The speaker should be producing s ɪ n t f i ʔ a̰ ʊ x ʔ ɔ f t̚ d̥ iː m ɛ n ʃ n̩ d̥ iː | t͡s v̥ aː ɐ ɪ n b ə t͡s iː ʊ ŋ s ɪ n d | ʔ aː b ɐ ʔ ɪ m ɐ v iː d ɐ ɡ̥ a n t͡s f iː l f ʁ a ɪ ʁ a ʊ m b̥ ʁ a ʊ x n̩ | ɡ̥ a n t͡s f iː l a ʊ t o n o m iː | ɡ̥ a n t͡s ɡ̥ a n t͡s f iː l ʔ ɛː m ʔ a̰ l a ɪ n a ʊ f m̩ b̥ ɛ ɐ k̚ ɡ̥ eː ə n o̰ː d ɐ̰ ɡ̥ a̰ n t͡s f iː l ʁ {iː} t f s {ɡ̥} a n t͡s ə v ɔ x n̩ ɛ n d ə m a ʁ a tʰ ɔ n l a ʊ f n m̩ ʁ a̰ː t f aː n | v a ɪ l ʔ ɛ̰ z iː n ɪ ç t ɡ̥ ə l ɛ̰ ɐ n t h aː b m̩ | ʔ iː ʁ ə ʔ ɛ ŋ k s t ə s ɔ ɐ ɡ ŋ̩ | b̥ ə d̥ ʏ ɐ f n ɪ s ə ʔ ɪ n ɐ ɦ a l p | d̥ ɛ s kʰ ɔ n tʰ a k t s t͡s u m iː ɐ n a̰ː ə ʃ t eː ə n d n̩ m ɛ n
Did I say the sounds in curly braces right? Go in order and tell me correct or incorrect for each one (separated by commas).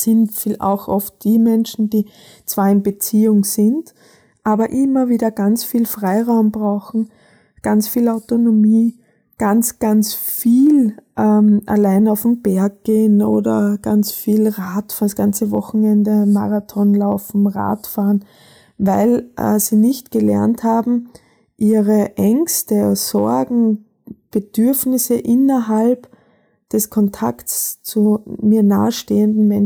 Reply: incorrect, correct